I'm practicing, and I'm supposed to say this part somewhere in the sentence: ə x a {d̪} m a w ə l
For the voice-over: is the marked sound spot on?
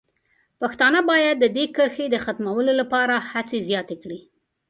no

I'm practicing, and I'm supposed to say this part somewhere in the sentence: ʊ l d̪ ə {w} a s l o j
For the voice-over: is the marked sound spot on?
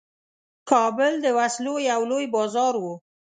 yes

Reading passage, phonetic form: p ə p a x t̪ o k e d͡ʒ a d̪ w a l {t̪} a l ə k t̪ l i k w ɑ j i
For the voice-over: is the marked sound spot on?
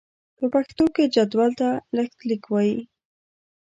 yes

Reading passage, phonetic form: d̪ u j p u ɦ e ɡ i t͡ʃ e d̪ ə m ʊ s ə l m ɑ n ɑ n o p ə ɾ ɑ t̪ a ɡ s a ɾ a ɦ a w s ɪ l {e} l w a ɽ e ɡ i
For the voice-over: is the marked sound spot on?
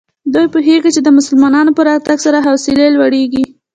yes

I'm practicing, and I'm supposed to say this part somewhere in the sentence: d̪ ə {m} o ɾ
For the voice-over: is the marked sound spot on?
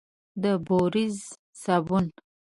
no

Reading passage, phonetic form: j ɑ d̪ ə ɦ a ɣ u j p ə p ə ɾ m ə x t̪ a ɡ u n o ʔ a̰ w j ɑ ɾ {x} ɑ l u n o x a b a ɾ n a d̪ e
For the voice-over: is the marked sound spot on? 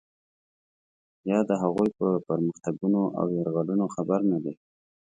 no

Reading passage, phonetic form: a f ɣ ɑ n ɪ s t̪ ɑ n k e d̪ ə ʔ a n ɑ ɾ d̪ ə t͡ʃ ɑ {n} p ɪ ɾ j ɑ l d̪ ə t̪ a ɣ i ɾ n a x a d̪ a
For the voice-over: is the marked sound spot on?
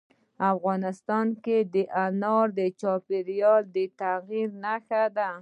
no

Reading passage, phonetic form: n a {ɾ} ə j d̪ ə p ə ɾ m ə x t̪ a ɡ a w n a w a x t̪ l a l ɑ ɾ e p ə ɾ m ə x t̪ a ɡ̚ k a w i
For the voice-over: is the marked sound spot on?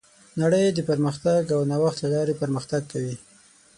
no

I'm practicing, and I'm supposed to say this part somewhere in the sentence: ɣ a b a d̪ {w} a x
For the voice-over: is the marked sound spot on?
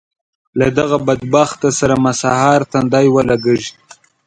no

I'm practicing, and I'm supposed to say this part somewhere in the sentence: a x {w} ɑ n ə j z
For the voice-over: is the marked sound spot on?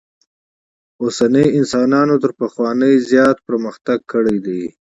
yes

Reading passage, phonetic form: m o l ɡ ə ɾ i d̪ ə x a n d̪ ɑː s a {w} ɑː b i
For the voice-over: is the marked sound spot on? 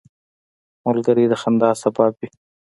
no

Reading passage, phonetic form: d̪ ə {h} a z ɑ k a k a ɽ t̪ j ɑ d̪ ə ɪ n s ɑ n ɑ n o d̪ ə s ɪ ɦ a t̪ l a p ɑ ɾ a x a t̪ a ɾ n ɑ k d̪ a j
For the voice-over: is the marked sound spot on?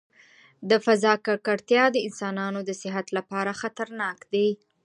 no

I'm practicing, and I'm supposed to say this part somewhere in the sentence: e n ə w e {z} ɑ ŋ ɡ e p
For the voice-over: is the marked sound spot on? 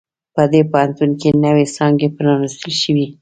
no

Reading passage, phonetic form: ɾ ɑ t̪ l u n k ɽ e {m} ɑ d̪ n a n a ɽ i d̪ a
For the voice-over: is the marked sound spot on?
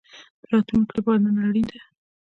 no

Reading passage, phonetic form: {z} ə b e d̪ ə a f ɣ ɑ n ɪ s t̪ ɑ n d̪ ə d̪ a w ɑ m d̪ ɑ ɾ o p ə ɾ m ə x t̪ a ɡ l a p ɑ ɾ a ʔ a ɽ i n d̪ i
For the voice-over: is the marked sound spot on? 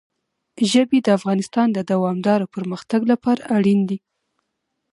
no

